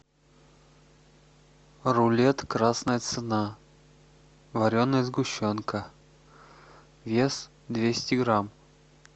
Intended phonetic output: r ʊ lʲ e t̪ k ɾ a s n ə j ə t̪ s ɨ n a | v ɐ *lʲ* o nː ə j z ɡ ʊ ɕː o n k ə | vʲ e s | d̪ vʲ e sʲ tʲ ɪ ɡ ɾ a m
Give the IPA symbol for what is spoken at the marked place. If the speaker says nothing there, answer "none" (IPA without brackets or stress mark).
ɾʲ